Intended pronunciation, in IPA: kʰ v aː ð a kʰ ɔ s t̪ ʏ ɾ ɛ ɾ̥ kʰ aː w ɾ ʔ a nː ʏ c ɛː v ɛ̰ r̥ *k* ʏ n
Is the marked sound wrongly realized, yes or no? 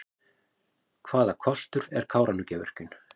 yes